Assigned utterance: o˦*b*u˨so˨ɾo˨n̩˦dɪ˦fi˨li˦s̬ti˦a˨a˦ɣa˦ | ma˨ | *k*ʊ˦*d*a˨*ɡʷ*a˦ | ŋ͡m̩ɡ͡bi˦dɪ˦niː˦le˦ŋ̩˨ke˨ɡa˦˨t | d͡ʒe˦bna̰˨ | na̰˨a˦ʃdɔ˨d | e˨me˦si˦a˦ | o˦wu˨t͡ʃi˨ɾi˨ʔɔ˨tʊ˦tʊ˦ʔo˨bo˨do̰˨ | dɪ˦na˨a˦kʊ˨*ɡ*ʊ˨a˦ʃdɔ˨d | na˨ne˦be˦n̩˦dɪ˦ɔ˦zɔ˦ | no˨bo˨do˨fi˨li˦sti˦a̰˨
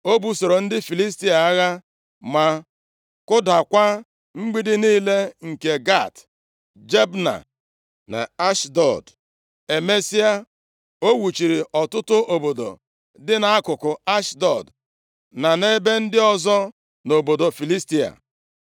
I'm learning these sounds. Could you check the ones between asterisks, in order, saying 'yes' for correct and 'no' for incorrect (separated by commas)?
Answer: yes, yes, yes, no, no